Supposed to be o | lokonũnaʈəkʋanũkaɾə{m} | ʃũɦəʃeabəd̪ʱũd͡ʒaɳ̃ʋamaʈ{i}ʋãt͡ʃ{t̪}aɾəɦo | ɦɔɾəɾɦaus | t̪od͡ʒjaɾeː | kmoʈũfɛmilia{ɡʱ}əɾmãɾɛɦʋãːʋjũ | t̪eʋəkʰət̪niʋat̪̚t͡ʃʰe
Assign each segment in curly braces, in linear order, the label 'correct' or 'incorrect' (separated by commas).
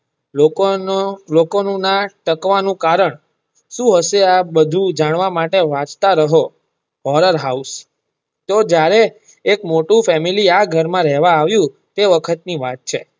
incorrect, incorrect, correct, correct